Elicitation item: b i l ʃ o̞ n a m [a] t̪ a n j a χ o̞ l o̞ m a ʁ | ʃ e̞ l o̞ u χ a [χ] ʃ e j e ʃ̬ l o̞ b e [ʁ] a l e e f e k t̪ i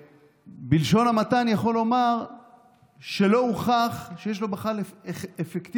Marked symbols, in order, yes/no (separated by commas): yes, yes, no